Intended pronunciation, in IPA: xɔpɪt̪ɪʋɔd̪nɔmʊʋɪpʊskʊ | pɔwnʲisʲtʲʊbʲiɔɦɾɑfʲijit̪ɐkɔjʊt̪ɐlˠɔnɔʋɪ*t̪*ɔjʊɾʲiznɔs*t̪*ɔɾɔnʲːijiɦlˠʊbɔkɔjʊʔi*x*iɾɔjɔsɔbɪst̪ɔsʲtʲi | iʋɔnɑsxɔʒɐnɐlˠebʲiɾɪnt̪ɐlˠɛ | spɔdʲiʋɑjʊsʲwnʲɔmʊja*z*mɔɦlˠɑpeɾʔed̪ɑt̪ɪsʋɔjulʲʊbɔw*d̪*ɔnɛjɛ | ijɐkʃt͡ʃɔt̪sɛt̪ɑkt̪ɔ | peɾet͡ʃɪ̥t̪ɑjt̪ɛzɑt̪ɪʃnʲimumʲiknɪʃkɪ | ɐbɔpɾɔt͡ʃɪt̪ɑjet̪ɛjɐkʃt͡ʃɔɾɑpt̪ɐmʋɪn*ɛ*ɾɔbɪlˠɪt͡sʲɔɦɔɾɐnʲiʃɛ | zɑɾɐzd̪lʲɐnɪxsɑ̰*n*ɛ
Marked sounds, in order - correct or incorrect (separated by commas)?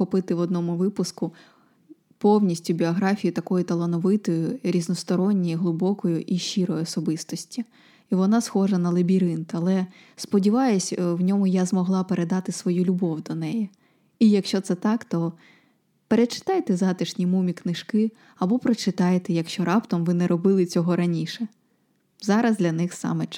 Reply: correct, correct, incorrect, correct, correct, correct, incorrect